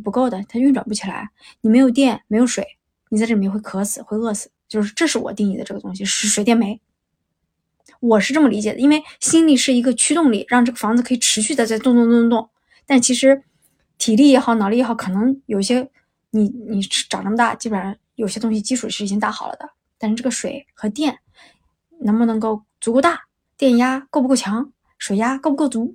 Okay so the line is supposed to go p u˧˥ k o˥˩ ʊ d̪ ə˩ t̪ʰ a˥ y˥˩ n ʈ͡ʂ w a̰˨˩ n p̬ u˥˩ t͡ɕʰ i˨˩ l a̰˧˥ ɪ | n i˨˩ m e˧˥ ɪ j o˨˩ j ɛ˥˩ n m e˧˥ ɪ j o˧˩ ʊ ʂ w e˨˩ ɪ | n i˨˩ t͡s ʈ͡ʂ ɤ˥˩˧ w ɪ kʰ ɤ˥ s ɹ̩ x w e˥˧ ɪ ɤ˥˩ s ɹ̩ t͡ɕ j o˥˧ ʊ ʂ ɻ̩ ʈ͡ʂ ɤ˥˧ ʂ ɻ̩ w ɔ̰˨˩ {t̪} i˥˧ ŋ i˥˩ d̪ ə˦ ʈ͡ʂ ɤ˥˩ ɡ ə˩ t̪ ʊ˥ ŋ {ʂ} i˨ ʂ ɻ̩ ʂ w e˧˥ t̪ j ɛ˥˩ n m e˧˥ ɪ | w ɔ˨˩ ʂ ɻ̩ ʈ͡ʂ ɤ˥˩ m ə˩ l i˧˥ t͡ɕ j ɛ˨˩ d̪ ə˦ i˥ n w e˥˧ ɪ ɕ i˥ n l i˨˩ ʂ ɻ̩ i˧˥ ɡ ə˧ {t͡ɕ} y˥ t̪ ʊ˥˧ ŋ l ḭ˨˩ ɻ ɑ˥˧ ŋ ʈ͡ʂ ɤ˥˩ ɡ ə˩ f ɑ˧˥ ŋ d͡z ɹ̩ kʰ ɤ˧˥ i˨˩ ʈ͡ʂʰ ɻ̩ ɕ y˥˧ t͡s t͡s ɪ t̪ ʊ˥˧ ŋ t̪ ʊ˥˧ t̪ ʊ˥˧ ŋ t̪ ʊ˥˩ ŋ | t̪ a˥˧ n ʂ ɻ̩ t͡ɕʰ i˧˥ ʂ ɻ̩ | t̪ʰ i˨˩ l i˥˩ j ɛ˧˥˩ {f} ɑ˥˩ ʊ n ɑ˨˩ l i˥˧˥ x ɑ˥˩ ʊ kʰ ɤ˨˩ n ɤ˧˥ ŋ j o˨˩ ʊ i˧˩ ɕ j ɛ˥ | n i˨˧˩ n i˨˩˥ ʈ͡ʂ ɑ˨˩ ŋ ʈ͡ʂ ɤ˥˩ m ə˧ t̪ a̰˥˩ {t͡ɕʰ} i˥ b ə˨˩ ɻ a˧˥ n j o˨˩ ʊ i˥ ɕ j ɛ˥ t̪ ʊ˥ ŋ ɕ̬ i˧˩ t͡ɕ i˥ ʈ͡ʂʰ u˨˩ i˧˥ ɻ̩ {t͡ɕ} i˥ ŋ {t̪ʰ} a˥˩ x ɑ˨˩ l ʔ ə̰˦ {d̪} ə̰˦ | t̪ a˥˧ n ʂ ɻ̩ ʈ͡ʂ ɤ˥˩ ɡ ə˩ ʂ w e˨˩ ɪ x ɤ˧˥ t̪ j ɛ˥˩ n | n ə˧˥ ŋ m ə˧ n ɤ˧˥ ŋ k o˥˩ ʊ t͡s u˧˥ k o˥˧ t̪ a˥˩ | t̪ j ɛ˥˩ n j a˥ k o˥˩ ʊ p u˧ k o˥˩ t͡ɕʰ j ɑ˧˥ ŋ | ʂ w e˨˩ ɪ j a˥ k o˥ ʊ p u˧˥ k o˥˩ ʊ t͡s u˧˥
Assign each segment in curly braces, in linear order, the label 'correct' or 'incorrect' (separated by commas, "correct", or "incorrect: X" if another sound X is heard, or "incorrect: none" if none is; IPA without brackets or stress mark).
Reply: correct, incorrect: ɕ, incorrect: t͡ɕʰ, incorrect: x, incorrect: t͡ɕ, correct, incorrect: t̪, correct